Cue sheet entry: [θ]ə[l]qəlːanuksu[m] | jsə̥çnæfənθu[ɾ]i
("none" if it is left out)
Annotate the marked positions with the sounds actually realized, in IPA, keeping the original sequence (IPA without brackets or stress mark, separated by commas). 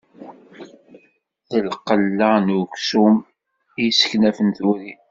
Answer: θ, l, m, ɾ